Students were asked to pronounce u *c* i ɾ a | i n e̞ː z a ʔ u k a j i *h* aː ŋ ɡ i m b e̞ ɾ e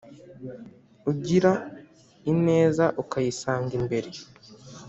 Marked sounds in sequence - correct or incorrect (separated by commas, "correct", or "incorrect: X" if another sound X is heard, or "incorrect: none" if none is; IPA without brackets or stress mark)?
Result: incorrect: ɟ, incorrect: s